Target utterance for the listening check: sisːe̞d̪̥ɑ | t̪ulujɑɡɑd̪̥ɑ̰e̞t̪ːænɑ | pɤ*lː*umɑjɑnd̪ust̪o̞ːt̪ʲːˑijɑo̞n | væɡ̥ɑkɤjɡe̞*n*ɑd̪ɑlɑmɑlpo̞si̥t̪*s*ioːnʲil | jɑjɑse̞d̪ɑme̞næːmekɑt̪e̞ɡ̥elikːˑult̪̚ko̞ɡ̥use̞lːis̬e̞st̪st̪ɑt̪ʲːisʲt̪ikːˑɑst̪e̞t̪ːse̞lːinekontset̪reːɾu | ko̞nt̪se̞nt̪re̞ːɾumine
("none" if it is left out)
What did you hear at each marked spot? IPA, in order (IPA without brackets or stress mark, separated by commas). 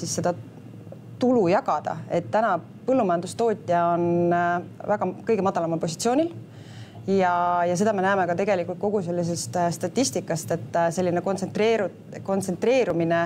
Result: lː, m, s